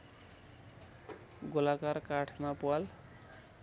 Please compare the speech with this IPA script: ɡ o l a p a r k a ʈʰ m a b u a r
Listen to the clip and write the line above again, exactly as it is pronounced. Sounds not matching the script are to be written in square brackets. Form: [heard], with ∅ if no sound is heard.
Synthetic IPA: ɡ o l a [k] a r k a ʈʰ m a [p] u a [l]